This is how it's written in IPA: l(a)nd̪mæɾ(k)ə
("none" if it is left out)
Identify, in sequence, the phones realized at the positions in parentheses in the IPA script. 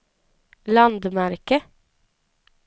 ɑ, k

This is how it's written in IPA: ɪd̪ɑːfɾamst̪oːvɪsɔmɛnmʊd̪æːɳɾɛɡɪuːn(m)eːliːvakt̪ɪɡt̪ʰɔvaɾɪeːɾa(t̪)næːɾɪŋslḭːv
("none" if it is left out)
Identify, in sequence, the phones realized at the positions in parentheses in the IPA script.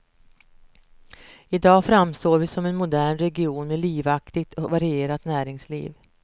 m, t̪

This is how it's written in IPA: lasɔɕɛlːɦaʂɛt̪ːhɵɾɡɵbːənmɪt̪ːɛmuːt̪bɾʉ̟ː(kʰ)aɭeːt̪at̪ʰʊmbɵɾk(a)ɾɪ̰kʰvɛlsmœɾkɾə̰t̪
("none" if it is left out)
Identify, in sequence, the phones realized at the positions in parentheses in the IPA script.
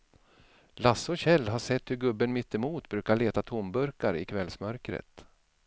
k, a

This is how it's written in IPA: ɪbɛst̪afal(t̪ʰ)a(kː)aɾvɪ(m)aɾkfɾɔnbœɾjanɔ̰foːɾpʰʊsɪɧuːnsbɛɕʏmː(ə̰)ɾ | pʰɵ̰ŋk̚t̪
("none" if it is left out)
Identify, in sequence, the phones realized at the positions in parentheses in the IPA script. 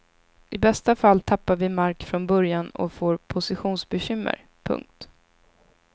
t̪ʰ, pː, m, ə̰

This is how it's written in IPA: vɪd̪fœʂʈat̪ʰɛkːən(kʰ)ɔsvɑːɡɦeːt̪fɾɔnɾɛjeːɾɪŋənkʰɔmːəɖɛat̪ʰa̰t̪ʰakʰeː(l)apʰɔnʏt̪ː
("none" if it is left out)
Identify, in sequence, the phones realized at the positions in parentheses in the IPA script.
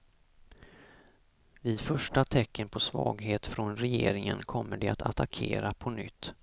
pʰ, ɾ

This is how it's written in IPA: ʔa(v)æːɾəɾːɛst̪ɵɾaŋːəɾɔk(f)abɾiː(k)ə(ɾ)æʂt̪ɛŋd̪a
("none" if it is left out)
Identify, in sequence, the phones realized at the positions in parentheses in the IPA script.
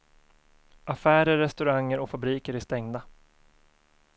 f, f, k, ɾ

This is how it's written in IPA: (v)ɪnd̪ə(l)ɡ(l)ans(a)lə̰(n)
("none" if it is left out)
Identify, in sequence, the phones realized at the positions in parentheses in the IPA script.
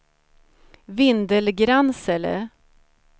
v, l, ɾ, ɛ, none

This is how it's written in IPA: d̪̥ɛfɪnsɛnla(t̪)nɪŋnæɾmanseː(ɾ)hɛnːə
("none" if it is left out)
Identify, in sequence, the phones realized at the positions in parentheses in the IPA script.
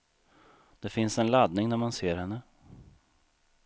d̪, ɾ

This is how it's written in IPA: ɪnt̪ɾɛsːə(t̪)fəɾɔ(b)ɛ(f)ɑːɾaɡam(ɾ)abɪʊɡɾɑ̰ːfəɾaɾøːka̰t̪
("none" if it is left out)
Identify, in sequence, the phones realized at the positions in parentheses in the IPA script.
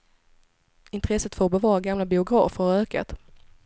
t̪, b, v, l

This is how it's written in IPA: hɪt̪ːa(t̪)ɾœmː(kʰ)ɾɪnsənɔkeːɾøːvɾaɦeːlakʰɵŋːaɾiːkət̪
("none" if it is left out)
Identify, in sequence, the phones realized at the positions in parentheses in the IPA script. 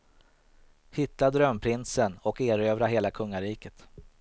d̪, pʰ

